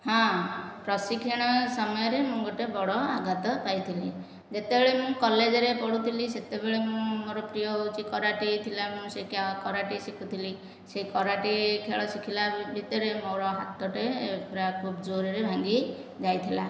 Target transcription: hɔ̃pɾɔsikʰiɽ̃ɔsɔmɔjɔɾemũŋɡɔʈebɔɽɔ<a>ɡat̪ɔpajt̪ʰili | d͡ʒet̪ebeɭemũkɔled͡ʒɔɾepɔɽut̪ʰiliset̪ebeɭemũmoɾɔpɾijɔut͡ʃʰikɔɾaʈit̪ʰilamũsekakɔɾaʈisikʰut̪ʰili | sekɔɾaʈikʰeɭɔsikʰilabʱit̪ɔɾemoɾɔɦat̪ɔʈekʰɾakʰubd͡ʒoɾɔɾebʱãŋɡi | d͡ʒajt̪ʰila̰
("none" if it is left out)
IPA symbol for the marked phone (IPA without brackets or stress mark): a